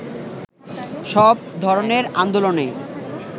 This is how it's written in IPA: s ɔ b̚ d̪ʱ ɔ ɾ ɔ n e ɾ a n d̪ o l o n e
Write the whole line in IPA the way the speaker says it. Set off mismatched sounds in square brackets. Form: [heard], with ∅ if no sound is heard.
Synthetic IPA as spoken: [ʃ] ɔ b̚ d̪ʱ ɔ ɾ [o] n e ɾ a n d̪ o l o n e